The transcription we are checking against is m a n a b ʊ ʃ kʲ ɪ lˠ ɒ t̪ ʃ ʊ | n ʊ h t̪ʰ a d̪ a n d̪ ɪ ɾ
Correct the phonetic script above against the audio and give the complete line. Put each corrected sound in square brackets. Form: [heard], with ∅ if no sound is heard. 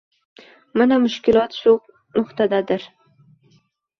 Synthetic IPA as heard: m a n a [m] ʊ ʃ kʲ ɪ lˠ ɒ t̪ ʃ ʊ | n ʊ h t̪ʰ a d̪ a [∅] d̪ ɪ ɾ